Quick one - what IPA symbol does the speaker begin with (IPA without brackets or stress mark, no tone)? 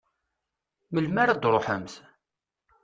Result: m